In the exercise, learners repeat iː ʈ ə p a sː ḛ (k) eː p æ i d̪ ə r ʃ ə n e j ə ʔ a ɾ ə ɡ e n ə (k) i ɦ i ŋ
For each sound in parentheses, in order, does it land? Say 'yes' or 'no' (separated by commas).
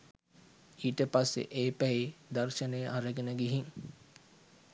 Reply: no, no